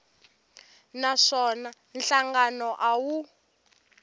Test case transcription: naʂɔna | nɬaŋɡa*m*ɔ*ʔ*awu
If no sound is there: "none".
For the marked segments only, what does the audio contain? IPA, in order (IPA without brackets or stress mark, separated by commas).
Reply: n, ʔ